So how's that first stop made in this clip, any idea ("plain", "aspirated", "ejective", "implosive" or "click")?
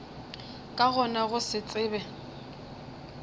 ejective